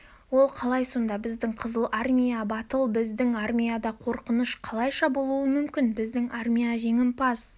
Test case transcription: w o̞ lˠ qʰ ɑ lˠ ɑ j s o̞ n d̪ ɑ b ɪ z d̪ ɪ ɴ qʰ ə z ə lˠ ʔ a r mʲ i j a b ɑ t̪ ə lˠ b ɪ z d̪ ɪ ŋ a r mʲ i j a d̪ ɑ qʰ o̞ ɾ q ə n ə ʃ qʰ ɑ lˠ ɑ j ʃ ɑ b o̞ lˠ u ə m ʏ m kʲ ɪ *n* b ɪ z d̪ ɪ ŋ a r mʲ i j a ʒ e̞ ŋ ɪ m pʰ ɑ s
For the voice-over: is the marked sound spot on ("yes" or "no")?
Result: yes